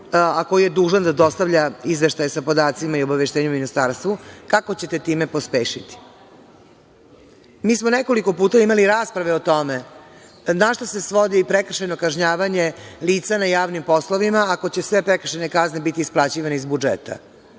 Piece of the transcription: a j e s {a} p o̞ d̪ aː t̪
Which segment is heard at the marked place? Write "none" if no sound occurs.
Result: a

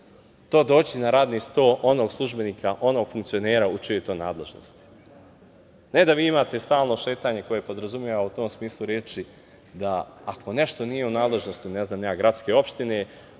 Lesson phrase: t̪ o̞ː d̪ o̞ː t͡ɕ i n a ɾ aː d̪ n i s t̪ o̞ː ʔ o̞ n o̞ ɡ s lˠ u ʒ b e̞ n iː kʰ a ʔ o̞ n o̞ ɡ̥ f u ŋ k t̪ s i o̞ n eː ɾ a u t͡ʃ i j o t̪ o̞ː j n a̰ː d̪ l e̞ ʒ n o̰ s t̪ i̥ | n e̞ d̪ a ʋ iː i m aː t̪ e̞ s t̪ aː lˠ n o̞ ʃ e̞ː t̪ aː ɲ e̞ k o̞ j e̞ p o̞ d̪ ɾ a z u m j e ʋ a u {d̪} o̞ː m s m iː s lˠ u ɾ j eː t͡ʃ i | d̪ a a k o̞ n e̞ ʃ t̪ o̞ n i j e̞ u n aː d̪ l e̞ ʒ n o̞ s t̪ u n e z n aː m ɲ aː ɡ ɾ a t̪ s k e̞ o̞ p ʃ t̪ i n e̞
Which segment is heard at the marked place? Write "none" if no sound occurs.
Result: t̪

